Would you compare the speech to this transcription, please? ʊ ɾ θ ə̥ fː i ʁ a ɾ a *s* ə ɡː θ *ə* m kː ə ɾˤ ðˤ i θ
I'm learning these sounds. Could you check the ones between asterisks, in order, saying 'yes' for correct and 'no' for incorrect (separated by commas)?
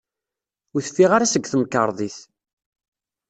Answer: yes, yes